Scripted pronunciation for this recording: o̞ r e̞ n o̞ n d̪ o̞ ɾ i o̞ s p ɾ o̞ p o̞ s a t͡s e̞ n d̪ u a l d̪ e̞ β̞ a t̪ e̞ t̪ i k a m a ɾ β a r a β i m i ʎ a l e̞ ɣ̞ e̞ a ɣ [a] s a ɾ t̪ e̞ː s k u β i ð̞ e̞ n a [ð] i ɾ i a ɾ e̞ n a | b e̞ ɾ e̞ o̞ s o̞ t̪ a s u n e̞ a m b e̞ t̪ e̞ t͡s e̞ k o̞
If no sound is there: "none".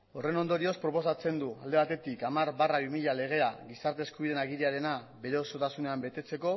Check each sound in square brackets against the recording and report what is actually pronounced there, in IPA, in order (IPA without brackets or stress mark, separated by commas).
i, ɣ